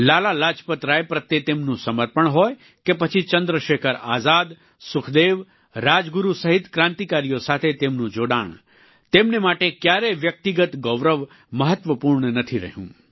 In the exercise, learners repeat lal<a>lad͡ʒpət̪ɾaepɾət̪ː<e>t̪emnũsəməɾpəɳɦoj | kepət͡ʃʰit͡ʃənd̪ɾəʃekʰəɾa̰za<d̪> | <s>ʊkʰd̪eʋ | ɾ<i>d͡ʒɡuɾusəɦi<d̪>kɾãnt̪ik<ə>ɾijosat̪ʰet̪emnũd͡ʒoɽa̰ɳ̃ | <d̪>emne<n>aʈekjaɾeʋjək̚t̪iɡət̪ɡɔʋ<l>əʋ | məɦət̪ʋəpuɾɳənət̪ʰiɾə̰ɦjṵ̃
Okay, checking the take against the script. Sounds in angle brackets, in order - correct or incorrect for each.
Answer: correct, correct, correct, correct, incorrect: a, incorrect: t̪, incorrect: a, incorrect: t̪, incorrect: m, incorrect: ɾ

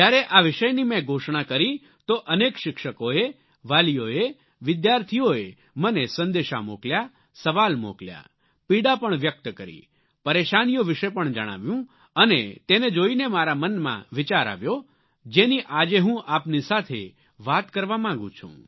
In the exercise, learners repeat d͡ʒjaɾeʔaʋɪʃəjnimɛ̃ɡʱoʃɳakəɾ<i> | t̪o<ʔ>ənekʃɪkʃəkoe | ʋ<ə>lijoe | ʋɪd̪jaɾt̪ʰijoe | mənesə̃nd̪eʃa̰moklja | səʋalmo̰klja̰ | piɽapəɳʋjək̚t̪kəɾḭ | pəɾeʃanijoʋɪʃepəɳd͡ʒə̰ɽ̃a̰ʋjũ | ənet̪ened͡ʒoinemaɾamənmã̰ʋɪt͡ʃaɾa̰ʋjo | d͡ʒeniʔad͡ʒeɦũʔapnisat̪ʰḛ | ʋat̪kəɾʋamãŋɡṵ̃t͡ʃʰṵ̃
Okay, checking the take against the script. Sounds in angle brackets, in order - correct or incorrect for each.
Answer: correct, correct, incorrect: a

